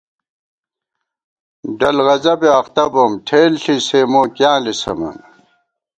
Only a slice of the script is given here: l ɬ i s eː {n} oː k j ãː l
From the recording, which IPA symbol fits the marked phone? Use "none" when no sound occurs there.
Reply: m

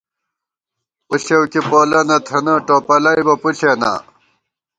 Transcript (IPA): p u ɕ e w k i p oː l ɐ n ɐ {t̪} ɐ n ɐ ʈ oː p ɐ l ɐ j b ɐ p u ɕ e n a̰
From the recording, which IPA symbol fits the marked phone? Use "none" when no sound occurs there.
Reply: t̪ʰ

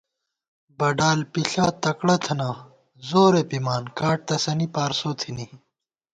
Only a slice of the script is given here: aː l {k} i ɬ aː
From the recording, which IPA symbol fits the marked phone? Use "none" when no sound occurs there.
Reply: p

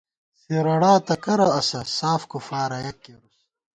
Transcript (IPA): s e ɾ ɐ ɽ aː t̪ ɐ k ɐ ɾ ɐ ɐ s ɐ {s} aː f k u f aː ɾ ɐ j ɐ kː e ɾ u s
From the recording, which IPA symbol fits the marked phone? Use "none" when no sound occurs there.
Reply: s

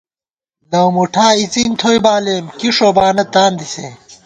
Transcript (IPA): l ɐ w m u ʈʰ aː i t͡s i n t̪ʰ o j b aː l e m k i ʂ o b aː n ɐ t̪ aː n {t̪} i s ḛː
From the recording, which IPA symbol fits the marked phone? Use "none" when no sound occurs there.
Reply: d̪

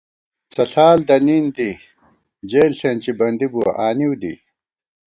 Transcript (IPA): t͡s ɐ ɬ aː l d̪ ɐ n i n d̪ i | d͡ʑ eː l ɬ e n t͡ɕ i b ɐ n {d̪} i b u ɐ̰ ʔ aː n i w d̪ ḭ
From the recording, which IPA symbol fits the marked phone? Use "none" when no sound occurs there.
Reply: d̪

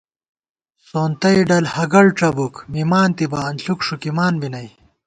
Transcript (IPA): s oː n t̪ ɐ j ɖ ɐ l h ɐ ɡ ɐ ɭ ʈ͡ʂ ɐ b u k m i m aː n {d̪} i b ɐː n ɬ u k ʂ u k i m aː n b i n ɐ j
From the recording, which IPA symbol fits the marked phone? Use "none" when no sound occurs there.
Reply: t̪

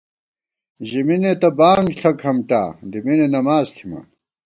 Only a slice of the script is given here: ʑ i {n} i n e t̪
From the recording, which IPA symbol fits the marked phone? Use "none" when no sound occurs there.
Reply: m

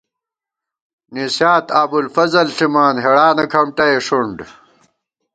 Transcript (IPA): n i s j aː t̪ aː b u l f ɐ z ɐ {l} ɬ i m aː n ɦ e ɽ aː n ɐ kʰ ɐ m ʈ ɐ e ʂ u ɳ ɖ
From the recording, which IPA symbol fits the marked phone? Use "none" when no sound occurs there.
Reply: l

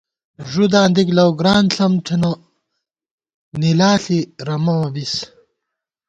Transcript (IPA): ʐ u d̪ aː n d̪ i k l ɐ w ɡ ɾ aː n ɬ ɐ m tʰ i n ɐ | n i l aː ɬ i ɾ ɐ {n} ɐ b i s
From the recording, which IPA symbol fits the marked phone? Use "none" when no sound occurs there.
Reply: m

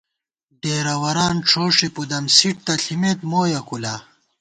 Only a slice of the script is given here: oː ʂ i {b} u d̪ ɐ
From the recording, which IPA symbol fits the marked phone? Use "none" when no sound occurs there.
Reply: p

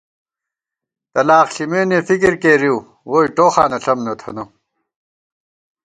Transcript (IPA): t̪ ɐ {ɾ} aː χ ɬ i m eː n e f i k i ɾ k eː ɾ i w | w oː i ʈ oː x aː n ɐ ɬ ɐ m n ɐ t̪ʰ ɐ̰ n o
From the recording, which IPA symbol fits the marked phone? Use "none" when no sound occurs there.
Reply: l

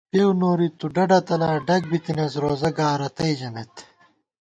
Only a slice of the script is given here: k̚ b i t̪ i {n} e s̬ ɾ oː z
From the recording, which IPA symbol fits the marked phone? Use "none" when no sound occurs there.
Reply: n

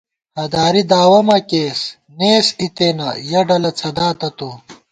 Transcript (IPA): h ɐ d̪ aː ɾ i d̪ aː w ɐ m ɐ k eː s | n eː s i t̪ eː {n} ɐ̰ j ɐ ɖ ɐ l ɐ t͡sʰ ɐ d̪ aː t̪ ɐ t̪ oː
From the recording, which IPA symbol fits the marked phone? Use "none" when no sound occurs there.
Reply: n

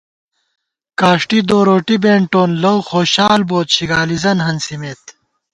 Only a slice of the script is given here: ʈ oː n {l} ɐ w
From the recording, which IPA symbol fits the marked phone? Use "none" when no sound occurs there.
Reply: l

